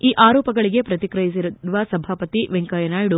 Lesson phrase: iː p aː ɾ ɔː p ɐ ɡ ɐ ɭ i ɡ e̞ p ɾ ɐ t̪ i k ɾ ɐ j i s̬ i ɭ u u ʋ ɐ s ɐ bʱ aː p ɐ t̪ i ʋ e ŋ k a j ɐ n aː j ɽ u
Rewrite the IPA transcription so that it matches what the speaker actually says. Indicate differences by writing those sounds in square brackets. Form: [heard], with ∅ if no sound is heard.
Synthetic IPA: iː [ʔ] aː ɾ ɔː p ɐ ɡ ɐ ɭ i ɡ e̞ p ɾ ɐ t̪ i k ɾ ɐ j i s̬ i [ɾ] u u ʋ ɐ s ɐ bʱ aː p ɐ t̪ i ʋ e ŋ k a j ɐ n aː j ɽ u